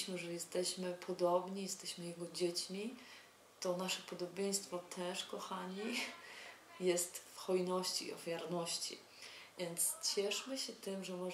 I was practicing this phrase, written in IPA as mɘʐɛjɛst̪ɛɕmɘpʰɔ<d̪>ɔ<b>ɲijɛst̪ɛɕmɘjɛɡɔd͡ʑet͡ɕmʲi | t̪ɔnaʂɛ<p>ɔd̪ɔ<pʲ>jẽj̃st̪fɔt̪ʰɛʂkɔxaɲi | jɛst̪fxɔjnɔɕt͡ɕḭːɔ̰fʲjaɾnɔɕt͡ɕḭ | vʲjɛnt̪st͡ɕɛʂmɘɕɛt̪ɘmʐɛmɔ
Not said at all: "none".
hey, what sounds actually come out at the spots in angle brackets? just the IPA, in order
d̪, b, p, bʲ

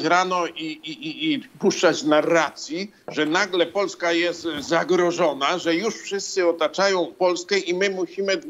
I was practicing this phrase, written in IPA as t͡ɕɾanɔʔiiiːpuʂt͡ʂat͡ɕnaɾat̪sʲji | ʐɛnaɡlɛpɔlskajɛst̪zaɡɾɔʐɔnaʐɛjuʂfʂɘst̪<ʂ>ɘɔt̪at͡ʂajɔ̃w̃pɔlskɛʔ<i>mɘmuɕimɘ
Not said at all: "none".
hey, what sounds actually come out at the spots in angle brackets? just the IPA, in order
s, i

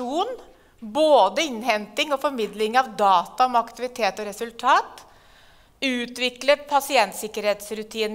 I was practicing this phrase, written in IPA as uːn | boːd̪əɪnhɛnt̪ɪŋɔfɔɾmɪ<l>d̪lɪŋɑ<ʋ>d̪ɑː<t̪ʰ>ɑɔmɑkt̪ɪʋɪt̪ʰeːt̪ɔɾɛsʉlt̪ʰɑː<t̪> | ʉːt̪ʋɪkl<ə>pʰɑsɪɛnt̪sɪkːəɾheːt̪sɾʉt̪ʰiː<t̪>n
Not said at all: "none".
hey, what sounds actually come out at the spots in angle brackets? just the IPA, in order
none, ʋ, t̪, t̪, ə, none

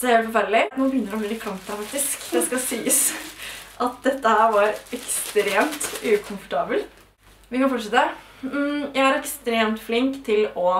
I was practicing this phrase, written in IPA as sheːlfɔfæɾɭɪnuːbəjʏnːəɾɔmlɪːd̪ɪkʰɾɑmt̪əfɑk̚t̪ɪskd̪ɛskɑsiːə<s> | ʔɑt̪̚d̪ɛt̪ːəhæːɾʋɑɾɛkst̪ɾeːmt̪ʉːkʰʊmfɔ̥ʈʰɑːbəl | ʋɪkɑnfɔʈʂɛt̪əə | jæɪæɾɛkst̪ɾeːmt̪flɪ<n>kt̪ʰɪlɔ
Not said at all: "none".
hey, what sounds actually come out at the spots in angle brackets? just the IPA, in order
s, ŋ

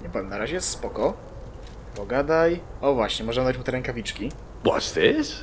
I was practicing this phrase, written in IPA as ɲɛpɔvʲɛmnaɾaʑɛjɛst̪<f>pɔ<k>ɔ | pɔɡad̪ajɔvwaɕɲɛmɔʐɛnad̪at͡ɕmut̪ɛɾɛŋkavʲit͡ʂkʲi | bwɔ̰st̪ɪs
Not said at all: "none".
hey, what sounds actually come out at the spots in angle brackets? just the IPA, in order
s, k

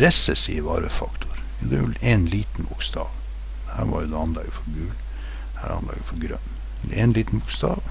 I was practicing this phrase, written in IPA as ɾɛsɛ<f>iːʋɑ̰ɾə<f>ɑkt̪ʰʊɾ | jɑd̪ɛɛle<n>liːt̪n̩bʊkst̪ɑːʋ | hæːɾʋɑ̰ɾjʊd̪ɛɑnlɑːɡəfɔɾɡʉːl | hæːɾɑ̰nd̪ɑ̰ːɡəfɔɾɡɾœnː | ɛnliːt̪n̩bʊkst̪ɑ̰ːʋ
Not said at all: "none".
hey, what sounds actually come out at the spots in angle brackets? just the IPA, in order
s, f, n

